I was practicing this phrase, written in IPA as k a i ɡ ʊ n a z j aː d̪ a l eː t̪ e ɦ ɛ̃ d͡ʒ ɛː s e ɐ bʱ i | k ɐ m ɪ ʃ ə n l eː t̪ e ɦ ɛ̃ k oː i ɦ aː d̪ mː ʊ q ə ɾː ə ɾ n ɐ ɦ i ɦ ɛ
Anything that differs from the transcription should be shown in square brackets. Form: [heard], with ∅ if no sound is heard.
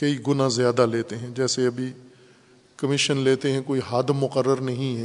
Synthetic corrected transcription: k [ɐ] i ɡ ʊ n a z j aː d̪ a l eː t̪ e ɦ ɛ̃ d͡ʒ ɛː s e ɐ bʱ i | k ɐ m ɪ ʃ ə n l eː t̪ e ɦ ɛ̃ k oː i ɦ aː d̪ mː ʊ q ə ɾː ə ɾ n ɐ ɦ [ĩ] ɦ ɛ